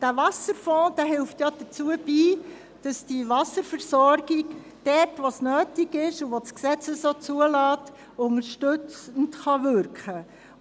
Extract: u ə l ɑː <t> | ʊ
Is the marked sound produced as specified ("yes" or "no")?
yes